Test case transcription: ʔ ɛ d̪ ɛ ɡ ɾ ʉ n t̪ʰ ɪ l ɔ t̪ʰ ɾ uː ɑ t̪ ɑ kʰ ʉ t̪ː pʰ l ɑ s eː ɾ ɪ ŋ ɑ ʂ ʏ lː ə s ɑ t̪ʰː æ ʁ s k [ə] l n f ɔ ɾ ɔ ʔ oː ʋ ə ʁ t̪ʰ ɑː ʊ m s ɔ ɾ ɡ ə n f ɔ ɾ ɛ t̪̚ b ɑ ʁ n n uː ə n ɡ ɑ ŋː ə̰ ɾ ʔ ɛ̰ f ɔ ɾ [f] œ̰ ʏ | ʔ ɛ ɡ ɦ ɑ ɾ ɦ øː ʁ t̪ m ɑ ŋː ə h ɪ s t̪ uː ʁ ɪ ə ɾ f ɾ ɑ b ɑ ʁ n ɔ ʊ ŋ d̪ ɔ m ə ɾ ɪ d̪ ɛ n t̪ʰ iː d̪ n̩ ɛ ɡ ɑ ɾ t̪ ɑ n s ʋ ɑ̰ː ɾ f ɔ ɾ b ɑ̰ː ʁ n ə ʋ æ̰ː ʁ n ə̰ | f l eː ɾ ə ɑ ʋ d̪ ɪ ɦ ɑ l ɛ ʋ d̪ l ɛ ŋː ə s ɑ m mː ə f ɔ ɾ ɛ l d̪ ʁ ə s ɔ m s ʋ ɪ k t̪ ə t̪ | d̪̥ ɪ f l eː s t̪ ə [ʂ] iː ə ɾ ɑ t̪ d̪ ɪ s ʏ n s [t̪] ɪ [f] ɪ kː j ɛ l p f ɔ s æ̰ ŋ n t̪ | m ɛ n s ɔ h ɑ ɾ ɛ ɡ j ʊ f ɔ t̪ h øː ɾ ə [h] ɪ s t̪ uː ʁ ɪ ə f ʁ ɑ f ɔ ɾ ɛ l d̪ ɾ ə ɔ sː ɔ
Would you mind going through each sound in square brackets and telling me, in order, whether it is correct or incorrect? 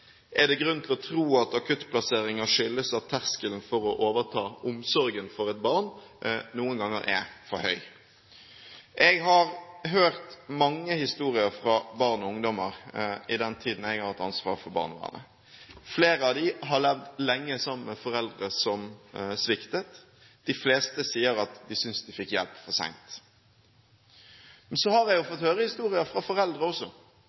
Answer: correct, incorrect: h, incorrect: s, incorrect: d̪, correct, correct

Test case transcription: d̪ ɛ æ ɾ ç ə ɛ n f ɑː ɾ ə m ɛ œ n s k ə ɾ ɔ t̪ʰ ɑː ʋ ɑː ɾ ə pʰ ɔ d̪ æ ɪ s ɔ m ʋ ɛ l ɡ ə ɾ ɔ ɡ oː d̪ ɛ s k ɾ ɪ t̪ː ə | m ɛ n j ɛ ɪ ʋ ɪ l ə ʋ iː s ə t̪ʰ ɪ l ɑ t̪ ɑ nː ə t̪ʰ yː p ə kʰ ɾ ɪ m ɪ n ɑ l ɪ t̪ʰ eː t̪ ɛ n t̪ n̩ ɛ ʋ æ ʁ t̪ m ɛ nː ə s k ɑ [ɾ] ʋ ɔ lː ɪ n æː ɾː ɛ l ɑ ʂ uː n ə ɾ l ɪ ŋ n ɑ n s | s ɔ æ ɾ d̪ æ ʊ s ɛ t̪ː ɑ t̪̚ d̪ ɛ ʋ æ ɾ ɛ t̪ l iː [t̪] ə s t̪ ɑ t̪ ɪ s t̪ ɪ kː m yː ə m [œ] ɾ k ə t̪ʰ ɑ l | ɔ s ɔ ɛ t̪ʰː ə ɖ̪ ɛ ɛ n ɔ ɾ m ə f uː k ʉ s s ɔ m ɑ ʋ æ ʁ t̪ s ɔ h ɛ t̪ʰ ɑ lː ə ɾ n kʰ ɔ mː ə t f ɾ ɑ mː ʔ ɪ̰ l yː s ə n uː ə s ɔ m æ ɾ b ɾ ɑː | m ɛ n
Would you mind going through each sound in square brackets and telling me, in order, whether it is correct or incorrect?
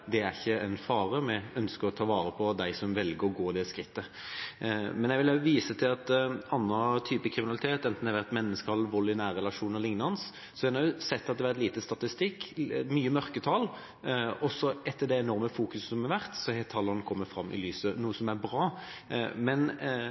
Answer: incorrect: l, correct, correct

